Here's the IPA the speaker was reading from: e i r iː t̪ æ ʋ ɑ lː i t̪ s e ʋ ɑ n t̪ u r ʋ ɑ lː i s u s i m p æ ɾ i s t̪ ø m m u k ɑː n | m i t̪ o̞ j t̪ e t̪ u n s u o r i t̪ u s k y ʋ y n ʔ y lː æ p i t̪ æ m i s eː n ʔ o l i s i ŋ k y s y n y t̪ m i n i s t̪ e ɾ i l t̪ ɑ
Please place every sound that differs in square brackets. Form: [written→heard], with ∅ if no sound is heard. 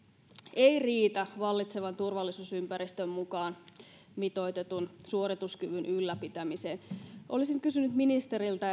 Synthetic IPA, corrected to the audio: e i r iː t̪ æ ʋ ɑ lː i t̪ s e ʋ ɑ n t̪ u r ʋ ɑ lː i s u s [i→y] m p æ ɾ i s t̪ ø m m u k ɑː n | m i t̪ o̞ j t̪ e t̪ u n s u o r i t̪ u s k y ʋ y n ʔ y lː æ p i t̪ æ m i s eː n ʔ o l i s i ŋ k y s y n y t̪ m i n i s t̪ e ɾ i l t̪ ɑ